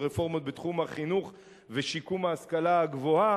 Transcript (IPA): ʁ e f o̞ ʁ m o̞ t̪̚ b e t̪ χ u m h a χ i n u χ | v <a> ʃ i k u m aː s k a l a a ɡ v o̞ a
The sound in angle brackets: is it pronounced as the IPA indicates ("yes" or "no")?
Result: no